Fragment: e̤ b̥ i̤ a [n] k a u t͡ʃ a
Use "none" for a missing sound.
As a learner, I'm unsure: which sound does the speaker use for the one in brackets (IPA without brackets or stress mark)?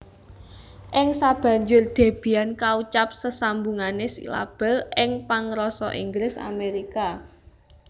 n